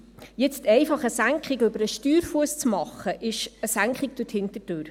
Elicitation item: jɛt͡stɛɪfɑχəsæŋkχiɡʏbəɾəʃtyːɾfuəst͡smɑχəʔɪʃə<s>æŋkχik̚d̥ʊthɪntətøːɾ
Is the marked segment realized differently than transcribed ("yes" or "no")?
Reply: no